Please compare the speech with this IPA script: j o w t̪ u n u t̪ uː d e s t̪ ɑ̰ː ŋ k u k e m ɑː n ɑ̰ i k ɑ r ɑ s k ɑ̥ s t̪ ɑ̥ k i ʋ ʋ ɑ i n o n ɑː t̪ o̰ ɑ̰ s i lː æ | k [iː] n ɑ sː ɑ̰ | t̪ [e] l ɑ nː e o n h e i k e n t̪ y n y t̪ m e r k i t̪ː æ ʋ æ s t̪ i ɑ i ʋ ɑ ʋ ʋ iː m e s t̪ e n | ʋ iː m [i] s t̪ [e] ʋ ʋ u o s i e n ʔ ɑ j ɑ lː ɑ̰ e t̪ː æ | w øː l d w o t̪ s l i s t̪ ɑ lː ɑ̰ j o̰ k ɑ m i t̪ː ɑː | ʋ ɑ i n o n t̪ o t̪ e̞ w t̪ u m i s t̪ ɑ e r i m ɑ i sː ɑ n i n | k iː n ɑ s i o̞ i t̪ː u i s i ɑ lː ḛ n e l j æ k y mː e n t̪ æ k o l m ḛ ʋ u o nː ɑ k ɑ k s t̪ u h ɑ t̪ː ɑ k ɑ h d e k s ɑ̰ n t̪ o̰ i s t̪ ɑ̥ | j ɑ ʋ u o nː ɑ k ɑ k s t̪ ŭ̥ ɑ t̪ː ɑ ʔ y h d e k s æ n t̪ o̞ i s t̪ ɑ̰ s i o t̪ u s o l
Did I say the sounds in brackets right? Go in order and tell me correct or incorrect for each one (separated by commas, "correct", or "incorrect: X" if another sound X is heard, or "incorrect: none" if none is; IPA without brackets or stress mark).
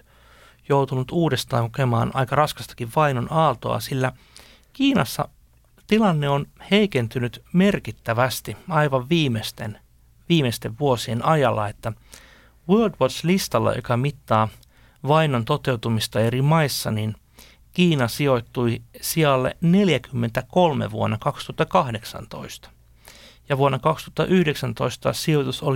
correct, incorrect: i, incorrect: e, correct